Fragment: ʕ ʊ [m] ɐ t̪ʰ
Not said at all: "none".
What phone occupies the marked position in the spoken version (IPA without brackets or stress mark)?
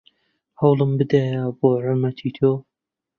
m